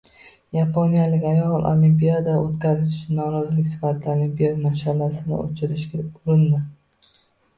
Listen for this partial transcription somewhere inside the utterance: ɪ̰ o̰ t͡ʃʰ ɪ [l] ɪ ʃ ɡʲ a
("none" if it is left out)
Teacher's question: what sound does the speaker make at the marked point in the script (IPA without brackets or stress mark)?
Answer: ɾ